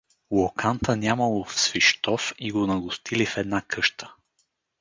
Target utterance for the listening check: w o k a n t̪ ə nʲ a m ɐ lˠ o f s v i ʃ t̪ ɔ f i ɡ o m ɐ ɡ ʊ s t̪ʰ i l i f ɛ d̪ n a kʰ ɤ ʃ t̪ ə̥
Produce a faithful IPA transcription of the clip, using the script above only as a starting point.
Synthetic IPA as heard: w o k a n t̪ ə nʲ a m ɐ lˠ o f s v i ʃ t̪ ɔ f i ɡ o n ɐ ɡ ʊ s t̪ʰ i l i f ɛ d̪ n a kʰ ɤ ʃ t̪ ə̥